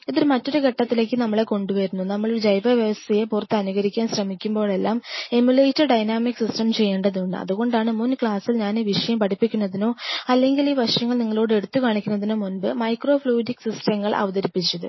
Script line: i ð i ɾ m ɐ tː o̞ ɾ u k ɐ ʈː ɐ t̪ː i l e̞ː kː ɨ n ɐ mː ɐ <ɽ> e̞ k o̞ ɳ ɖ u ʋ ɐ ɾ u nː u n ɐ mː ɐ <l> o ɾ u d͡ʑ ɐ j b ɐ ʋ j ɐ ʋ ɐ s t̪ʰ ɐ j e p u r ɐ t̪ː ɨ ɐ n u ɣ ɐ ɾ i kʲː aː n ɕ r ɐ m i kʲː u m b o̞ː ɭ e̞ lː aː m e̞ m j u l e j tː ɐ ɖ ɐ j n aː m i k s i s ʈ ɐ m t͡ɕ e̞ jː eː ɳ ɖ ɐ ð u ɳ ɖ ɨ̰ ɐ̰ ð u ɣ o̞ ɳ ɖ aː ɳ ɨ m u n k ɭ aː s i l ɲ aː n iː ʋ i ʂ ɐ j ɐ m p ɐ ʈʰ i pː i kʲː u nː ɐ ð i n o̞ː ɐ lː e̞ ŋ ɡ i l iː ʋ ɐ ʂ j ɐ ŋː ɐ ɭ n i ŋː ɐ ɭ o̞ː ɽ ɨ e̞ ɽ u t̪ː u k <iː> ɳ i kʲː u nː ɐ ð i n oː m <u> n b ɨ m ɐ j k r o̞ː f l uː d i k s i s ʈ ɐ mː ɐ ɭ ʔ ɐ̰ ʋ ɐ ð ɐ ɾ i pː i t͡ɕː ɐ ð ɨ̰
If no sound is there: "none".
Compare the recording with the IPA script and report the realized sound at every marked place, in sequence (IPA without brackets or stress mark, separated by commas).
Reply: ɭ, ɭ, aː, u